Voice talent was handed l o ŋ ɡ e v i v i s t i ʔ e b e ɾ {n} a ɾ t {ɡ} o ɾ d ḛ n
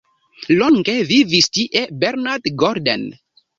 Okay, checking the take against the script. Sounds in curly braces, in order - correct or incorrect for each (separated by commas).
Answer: correct, correct